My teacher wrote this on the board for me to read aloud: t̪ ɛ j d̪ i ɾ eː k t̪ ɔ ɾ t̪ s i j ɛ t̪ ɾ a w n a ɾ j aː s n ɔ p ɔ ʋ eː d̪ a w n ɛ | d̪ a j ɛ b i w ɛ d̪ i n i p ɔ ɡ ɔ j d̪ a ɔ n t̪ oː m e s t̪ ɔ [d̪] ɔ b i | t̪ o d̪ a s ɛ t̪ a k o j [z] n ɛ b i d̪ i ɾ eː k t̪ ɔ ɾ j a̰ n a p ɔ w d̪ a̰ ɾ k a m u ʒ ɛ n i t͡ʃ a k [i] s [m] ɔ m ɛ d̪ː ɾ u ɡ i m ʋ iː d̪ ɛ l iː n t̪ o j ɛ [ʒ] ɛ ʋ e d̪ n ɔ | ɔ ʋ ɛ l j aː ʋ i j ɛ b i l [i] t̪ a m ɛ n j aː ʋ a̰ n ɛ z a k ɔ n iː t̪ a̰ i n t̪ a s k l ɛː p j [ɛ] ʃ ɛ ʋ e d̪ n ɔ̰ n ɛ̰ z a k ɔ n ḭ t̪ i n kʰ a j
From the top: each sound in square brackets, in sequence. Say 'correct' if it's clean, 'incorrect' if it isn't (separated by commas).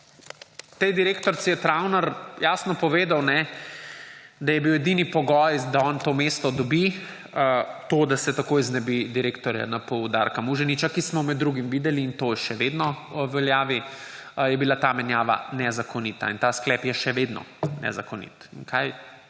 correct, correct, correct, correct, incorrect, incorrect, correct